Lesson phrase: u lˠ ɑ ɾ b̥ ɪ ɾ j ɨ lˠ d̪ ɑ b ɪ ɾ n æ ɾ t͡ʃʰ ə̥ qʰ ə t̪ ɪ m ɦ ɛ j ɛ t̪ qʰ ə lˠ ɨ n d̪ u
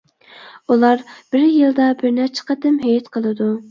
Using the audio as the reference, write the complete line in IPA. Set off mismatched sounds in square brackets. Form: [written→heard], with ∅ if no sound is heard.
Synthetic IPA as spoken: u lˠ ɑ ɾ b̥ ɪ ɾ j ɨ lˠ d̪ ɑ b ɪ ɾ n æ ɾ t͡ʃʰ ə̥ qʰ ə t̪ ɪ m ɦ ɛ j ɛ t̪ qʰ ə lˠ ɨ [n→∅] d̪ u

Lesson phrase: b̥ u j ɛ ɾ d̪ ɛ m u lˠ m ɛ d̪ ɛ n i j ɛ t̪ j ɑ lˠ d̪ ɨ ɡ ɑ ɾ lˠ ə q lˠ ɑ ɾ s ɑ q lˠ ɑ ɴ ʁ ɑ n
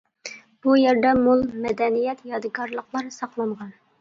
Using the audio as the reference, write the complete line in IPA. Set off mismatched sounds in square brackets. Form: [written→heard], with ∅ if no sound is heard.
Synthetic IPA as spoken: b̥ u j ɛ ɾ d̪ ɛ m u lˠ m ɛ d̪ ɛ n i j ɛ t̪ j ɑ [lˠ→∅] d̪ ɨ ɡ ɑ ɾ lˠ ə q lˠ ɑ ɾ s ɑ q lˠ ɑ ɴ ʁ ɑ n

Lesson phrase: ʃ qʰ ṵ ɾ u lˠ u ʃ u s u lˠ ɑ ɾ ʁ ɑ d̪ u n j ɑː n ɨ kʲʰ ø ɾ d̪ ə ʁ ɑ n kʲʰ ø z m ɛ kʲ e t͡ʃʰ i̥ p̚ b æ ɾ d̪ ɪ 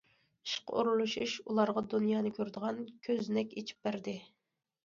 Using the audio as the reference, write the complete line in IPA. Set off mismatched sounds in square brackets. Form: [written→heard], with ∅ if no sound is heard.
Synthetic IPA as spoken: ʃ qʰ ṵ ɾ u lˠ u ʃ u [s→ʃ] u lˠ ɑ ɾ ʁ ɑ d̪ u n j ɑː n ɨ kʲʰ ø ɾ d̪ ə ʁ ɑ n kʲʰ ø z [m→n] ɛ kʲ e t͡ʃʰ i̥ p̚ b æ ɾ d̪ ɪ

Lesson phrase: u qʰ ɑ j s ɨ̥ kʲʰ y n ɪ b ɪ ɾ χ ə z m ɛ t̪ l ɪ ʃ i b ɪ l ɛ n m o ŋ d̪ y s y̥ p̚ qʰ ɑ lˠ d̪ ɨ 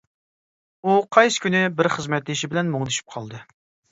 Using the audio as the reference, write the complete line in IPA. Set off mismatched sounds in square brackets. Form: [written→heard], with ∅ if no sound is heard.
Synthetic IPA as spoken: u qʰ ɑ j s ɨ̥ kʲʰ y n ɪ b ɪ ɾ χ ə z m ɛ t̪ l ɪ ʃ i b ɪ l ɛ n m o ŋ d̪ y [s→ʃ] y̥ p̚ qʰ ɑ lˠ d̪ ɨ

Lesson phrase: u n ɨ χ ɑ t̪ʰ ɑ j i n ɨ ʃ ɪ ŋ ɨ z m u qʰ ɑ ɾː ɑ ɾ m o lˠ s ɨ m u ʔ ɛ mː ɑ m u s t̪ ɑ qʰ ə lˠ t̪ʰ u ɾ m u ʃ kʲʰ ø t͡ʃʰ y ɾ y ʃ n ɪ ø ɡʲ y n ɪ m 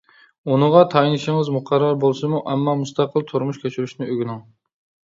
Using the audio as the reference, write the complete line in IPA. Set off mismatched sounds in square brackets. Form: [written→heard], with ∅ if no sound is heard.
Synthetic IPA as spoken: u n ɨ [χ→ʁ] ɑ t̪ʰ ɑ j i n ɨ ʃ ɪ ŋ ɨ z m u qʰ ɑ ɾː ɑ ɾ [m→b] o lˠ s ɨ m u ʔ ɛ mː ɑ m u s t̪ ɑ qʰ ə lˠ t̪ʰ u ɾ m u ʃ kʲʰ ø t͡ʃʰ y ɾ y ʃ n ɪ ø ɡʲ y n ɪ [m→ŋ]

